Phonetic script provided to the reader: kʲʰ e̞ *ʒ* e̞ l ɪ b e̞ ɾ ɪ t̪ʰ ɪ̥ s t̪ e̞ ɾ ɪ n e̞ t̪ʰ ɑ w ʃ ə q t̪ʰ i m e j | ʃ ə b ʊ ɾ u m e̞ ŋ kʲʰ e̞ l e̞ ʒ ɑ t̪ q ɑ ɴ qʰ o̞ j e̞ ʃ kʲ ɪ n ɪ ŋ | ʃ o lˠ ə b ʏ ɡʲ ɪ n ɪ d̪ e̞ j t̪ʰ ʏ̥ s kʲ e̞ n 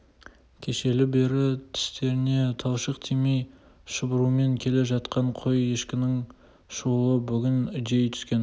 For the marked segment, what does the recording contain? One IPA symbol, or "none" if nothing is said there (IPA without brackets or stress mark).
ʃ